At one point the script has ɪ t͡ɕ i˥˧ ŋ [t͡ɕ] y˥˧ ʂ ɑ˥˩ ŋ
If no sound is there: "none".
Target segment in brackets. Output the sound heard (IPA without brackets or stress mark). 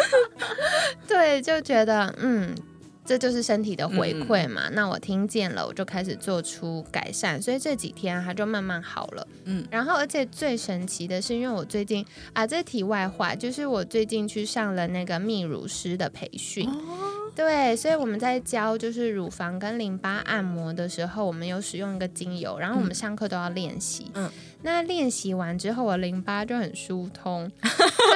t͡ɕʰ